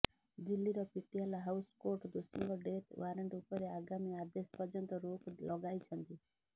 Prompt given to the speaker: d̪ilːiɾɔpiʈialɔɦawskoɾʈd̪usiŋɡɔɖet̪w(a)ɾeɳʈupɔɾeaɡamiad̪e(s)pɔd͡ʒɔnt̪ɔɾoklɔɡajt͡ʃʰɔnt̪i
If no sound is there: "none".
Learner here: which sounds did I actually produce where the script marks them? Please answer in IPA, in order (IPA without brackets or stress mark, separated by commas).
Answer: a, s